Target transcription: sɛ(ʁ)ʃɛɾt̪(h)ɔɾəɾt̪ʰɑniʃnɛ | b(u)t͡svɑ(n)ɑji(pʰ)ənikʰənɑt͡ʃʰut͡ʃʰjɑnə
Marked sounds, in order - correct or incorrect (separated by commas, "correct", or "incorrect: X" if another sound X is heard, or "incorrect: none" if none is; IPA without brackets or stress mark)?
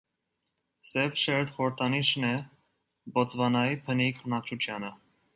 incorrect: v, incorrect: χ, incorrect: ɔ, correct, correct